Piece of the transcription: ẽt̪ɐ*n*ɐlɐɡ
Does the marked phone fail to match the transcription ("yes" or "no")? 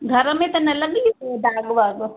no